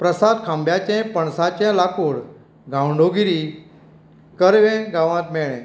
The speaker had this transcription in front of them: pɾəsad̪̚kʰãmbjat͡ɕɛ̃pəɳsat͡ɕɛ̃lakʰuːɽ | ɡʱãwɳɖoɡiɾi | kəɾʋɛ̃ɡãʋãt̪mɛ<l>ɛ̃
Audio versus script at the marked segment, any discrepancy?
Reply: yes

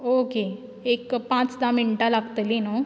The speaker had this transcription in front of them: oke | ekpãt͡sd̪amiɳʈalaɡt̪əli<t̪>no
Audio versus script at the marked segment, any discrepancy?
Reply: yes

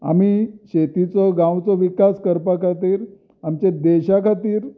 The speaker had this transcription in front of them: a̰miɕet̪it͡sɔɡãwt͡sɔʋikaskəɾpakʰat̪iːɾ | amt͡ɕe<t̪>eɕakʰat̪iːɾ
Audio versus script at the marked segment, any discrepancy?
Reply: yes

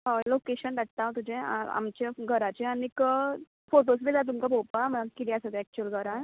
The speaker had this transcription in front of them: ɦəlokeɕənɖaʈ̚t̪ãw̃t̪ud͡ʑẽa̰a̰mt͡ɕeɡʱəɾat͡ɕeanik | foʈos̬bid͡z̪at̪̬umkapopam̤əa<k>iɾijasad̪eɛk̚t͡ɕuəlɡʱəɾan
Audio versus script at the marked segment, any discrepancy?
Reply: no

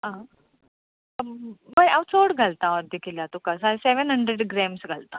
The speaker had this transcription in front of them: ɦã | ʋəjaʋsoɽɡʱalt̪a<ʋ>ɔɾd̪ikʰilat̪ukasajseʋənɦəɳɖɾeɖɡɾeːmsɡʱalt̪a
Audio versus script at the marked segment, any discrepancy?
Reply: yes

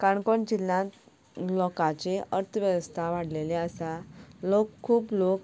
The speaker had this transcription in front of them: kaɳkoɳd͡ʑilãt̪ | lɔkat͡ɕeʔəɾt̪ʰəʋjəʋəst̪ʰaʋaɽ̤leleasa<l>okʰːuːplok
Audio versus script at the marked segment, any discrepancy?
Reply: no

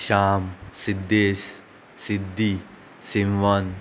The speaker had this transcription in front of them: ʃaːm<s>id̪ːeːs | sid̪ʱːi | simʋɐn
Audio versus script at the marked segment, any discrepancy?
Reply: no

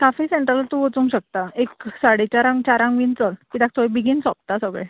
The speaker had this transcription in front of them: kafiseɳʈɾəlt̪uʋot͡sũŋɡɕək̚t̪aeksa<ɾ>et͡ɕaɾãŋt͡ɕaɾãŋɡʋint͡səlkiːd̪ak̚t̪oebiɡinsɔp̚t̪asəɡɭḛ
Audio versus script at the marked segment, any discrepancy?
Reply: yes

